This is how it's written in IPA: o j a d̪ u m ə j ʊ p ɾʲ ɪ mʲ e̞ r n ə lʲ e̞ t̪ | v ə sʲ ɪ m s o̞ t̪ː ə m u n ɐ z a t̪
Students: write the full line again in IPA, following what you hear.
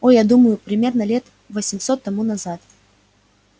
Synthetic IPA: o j a d̪ u m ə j ʊ p ɾʲ ɪ mʲ e̞ r n ə lʲ e̞ t̪ | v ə sʲ ɪ m s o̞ t̪ː ɐ m u n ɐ z a t̪

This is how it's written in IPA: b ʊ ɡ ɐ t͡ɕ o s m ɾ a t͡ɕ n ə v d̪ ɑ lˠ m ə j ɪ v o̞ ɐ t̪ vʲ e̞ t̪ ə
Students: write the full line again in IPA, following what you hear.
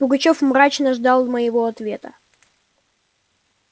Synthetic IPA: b ʊ ɡ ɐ t͡ɕ o f m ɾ a t͡ɕ n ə ʐ d̪ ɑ lˠ m ə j ɪ v o̞ ɐ t̪ vʲ e̞ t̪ ə

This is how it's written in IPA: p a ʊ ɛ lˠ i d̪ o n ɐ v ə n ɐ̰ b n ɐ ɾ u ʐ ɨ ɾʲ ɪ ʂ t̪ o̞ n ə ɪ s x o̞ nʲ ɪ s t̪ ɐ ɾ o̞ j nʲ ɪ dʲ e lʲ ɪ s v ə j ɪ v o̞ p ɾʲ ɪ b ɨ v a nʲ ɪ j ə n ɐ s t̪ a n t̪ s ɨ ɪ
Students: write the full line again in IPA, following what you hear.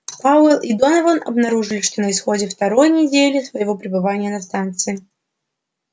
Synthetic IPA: p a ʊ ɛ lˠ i d̪ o n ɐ v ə n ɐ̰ b n ɐ ɾ u ʐ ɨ lʲ ɪ ʂ t̪ o̞ n ə ɪ s x o̞ dʲ ɪ f t̪ ɐ ɾ o̞ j nʲ ɪ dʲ e lʲ ɪ s v ə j ɪ v o̞ p ɾʲ ɪ b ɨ v a nʲ ɪ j ə n ɐ s t̪ a n t̪ s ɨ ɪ

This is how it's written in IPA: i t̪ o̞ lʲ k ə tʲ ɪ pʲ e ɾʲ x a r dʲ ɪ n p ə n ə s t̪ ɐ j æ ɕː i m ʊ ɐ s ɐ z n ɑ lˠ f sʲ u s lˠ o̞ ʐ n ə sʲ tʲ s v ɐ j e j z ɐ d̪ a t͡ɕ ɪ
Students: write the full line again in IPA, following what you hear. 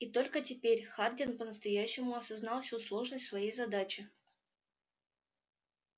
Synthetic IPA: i t̪ o̞ lʲ k ə tʲ ɪ pʲ e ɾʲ x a r dʲ ɪ n p ə n ə s t̪ ɐ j æ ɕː ɪ m ʊ ɐ s ɐ z n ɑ lˠ f sʲ u s lˠ o̞ ʐ n ə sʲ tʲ s v ɐ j e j z ɐ d̪ a t͡ɕ ɪ

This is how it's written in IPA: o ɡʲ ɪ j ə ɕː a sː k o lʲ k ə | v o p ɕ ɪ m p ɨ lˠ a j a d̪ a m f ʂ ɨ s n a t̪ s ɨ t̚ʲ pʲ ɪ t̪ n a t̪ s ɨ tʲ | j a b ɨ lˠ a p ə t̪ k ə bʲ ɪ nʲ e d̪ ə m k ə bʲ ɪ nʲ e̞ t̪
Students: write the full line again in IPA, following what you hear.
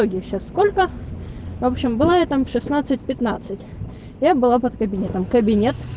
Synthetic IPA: o ɡʲ ɪ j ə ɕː a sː k o lʲ k ə | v o p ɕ ɪ m b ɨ lˠ a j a t̪ a m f ʂ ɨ s n a t̪ s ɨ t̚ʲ pʲ ɪ t̪ n a t̪ s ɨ tʲ | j a b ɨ lˠ a p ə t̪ k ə bʲ ɪ nʲ e t̪ ə m k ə bʲ ɪ nʲ e̞ t̪

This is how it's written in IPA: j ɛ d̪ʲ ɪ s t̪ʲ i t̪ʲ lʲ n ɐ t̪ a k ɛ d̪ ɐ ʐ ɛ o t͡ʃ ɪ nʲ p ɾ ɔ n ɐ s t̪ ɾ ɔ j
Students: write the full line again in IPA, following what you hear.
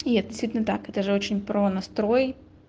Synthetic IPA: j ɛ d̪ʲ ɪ s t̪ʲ i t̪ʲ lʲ n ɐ t̪ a k ɛ t̪ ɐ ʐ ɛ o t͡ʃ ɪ nʲ p ɾ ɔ n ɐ s t̪ ɾ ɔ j

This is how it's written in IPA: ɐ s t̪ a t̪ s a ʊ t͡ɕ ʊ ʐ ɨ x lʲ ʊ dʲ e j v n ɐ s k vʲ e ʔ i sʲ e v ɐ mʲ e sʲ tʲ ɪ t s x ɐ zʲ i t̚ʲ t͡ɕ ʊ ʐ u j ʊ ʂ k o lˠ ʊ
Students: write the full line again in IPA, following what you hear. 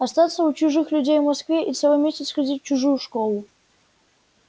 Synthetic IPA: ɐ s t̪ a t̪ s ə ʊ t͡ɕ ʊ ʐ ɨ x lʲ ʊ dʲ e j v m ɐ s k vʲ e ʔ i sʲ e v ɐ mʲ e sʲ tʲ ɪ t s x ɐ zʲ i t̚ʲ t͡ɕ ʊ ʐ u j ʊ ʂ k o lˠ ʊ

